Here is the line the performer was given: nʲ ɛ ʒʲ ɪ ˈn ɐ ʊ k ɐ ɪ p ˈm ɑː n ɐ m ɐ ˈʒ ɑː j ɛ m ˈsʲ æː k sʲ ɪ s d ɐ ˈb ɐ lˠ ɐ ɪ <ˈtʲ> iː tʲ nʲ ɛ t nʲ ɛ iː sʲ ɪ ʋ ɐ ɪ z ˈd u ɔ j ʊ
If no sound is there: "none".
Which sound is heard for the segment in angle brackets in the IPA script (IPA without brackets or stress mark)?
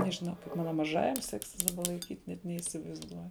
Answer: kʲ